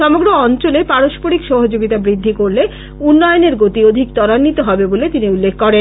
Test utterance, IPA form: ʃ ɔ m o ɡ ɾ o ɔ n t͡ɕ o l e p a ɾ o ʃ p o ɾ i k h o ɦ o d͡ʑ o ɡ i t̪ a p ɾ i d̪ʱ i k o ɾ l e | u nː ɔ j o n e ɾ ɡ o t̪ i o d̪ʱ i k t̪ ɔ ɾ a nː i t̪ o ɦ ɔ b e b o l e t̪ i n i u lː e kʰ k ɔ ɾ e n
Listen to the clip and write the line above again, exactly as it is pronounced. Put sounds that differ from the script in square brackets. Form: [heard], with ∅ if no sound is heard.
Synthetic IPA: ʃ ɔ m o ɡ ɾ o ɔ n t͡ɕ o l e p a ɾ o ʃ p o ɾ i k [ʃ] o ɦ o d͡ʑ o ɡ i t̪ a [b] ɾ i [d̪ʱː] i k o ɾ l e | u nː ɔ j o n e ɾ ɡ o t̪ i o d̪ʱ i k t̪ ɔ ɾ a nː i t̪ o ɦ ɔ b e b o l e t̪ i n i u lː e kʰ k ɔ ɾ e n

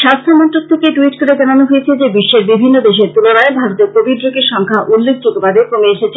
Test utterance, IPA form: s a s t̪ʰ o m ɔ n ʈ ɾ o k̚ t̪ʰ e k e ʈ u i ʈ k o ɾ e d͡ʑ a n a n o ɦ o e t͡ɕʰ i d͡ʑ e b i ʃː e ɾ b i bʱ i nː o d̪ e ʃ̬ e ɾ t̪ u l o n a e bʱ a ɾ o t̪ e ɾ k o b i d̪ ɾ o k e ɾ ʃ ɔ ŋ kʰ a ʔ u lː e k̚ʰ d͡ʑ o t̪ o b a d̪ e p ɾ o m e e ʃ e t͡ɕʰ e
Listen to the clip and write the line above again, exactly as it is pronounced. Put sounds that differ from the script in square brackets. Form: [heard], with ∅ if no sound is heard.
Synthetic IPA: [ʃ] a s t̪ʰ o m ɔ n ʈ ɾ o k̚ t̪ʰ e k e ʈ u i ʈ k o ɾ e d͡ʑ a n a n o ɦ o e t͡ɕʰ [e] d͡ʑ e b i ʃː e ɾ b i bʱ i nː o d̪ e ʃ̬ e ɾ t̪ u l o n a e bʱ a ɾ o t̪ e ɾ k o b i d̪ ɾ o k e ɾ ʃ ɔ ŋ kʰ a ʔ u lː e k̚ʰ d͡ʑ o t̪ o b a d̪ e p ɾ o m e e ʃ e t͡ɕʰ e

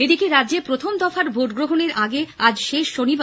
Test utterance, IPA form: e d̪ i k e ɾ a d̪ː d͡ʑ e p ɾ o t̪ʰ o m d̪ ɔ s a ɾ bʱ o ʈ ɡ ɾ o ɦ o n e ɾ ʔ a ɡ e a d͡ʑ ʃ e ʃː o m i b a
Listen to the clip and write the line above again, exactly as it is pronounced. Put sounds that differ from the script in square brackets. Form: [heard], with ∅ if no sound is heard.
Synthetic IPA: e d̪ i k e ɾ a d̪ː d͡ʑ e p ɾ o t̪ʰ o m d̪ ɔ [f] a ɾ bʱ o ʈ ɡ ɾ o ɦ o n e ɾ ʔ a ɡ e a d͡ʑ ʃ e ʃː o [n] i b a

